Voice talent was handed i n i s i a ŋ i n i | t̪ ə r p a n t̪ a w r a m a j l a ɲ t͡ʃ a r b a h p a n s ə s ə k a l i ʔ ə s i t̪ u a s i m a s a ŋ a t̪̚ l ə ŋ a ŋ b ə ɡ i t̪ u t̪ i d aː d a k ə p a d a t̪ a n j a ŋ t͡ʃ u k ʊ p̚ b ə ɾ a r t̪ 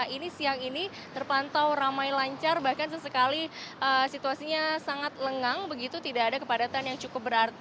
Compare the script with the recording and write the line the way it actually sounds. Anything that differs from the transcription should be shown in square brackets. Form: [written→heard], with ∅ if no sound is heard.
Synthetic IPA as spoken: i n i s i a ŋ i n i | t̪ ə r p a n t̪ a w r a m a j l a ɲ t͡ʃ a r b a h [p→k] a n s ə s ə k a l i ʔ ə s i t̪ u a s i [m→ɲ] a s a ŋ a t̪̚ l ə ŋ a ŋ b ə ɡ i t̪ u t̪ i d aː d a k ə p a d a t̪ a n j a ŋ t͡ʃ u k ʊ p̚ b ə ɾ a r t̪